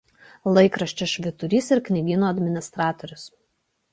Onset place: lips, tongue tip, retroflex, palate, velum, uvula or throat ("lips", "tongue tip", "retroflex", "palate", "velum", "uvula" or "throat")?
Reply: tongue tip